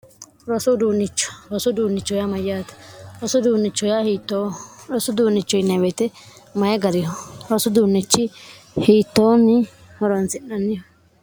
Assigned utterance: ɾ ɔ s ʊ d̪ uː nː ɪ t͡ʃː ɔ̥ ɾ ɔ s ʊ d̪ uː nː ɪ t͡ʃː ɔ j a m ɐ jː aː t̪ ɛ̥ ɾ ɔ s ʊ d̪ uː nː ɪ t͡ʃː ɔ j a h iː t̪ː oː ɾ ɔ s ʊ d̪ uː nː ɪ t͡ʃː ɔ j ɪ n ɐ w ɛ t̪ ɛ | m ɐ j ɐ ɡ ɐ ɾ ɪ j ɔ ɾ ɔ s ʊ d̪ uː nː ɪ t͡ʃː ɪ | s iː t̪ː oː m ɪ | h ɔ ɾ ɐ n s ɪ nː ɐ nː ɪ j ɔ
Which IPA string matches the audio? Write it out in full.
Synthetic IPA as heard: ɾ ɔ s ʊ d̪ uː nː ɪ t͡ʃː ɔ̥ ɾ ɔ s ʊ d̪ uː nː ɪ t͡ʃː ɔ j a m ɐ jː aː t̪ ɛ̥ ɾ ɔ s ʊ d̪ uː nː ɪ t͡ʃː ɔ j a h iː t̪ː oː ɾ ɔ s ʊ d̪ uː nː ɪ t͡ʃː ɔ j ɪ n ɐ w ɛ t̪ ɛ | m ɐ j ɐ ɡ ɐ ɾ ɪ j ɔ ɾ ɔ s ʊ d̪ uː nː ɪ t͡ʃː ɪ | h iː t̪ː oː m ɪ | h ɔ ɾ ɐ n s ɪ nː ɐ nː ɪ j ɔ